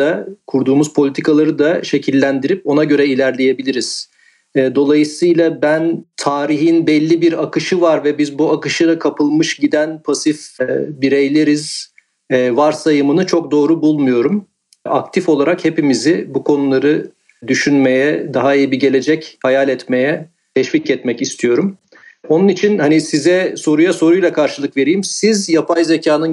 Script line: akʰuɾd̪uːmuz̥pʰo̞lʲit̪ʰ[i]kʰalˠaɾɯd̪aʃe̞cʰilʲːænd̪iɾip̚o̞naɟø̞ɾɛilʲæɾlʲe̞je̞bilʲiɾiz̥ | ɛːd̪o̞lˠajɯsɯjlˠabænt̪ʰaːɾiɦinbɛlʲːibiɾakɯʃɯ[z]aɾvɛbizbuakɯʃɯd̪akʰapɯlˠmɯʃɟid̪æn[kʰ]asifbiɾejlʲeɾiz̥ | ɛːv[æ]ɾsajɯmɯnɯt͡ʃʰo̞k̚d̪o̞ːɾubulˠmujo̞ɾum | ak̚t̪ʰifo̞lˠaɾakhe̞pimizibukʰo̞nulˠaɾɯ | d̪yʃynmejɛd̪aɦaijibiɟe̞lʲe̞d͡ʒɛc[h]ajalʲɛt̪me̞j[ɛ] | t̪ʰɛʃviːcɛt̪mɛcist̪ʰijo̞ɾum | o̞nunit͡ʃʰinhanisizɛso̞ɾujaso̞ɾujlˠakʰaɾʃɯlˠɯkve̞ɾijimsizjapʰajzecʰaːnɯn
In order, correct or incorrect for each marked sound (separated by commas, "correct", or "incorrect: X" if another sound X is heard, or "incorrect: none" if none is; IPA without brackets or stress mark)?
correct, incorrect: v, incorrect: pʰ, incorrect: a, correct, correct